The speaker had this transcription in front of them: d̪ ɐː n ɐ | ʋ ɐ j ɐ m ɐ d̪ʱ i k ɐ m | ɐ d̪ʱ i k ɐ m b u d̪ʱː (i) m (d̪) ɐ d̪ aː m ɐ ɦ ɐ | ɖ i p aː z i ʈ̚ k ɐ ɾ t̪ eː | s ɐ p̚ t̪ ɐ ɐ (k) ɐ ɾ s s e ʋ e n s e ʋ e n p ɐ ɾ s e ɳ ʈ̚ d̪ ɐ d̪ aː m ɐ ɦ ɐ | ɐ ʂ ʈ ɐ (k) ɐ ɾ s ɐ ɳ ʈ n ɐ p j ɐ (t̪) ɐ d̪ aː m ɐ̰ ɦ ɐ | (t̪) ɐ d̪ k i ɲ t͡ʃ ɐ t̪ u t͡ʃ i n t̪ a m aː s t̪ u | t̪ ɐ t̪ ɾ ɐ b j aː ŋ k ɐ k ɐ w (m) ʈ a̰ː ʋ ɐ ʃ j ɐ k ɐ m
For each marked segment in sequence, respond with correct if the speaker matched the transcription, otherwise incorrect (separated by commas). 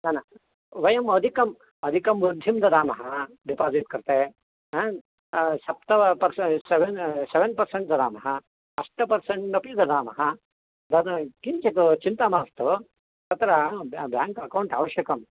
correct, correct, incorrect, incorrect, incorrect, incorrect, incorrect